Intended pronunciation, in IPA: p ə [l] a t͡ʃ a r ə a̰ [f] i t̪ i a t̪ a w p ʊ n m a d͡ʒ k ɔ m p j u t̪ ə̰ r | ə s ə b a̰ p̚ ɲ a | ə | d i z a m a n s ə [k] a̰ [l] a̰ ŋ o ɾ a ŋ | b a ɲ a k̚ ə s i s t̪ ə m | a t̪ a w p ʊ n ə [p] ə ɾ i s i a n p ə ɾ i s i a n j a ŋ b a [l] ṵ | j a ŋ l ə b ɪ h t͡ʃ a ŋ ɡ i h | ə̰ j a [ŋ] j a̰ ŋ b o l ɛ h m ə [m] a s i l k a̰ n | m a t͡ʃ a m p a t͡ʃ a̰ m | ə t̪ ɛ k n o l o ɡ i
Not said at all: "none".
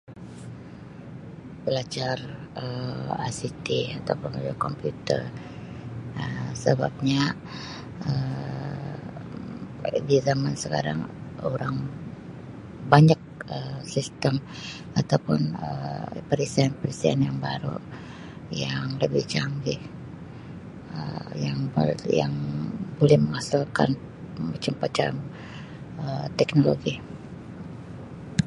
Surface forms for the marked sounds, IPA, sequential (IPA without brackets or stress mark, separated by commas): l, s, k, ɾ, p, ɾ, ŋ, ŋ